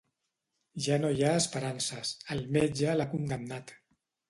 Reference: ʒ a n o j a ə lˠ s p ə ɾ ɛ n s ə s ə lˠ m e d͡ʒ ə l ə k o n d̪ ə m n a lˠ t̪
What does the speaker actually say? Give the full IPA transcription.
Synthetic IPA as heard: ʒ a n o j a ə s p ə ɾ a n s ə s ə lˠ m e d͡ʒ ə l a k u n d̪ ə m n a t̪